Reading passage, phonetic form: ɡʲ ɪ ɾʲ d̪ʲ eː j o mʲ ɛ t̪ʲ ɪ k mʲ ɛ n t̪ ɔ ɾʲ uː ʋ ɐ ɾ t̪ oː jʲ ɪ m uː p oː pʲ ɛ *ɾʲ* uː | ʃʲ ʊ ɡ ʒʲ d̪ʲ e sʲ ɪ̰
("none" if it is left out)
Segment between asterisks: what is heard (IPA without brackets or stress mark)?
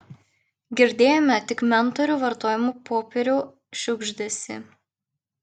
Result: ɾʲ